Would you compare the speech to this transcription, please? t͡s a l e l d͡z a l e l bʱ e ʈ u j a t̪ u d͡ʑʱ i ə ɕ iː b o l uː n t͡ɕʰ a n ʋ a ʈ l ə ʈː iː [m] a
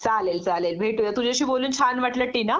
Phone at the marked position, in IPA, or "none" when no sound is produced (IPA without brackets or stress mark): n